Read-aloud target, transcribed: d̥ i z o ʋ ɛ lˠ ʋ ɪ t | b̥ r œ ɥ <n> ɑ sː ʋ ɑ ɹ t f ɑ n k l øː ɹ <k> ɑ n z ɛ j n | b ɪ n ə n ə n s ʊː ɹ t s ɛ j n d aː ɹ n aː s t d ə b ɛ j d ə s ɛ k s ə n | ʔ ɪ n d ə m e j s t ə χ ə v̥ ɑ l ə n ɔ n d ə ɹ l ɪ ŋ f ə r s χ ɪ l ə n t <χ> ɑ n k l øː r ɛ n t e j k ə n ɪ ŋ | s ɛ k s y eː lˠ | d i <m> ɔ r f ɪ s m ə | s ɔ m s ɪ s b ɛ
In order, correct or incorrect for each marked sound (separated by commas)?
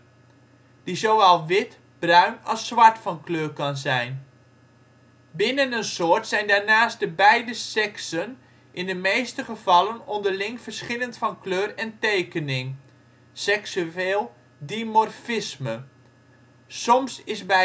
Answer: correct, correct, incorrect, correct